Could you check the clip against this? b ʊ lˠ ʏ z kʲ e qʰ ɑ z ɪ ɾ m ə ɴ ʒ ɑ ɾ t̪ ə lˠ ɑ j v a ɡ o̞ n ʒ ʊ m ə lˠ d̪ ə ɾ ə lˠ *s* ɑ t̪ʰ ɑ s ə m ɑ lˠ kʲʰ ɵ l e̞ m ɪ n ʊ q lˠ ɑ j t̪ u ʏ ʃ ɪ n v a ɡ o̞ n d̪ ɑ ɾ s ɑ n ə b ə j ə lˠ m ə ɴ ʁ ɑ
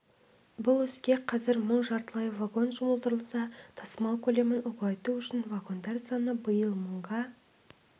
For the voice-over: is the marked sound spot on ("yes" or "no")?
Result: yes